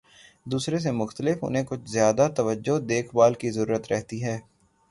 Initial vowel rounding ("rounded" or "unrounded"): rounded